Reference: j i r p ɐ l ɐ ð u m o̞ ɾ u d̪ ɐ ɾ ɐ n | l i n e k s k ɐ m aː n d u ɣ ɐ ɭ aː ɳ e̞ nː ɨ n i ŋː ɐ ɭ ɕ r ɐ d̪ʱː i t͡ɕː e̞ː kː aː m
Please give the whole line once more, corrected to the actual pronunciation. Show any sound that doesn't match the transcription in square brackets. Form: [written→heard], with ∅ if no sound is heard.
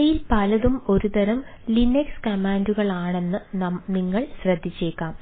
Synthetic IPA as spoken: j i [r→l] p ɐ l ɐ ð u m o̞ ɾ u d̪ ɐ ɾ ɐ [n→m] | l i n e k s k ɐ m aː n d u ɣ ɐ ɭ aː ɳ e̞ nː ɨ n i ŋː ɐ ɭ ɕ r ɐ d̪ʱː i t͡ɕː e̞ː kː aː m